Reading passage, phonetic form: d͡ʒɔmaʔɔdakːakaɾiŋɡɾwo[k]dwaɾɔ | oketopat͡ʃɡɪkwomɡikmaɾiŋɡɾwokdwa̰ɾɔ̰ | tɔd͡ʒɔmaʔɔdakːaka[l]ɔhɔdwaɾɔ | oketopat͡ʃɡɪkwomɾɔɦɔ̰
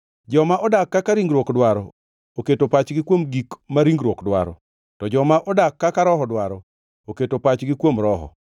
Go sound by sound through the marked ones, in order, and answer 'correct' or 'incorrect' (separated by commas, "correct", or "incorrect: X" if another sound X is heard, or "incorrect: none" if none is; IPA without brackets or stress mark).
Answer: correct, incorrect: ɾ